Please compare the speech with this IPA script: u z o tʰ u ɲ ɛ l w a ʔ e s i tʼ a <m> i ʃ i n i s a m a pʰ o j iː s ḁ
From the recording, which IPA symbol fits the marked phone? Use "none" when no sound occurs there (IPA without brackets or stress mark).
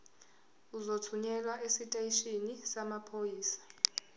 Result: none